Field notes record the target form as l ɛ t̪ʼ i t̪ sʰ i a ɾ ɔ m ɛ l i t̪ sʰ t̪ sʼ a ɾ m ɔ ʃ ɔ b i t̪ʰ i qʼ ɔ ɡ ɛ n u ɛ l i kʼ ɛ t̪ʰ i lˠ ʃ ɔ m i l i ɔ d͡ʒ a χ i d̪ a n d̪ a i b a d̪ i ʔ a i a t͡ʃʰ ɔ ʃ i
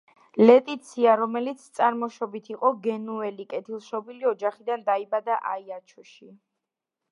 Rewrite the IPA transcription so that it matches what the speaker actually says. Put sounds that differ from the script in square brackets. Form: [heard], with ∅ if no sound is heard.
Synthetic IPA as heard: l ɛ t̪ʼ i t̪ sʰ i a ɾ ɔ m ɛ l i t̪ sʰ t̪ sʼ a ɾ m ɔ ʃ ɔ b i t̪ʰ i qʼ ɔ ɡ ɛ n u ɛ l i kʼ ɛ t̪ʰ i lˠ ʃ ɔ [b] i l i ɔ d͡ʒ a χ i d̪ a n d̪ a i b a d̪ [a] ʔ a i a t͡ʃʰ ɔ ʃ i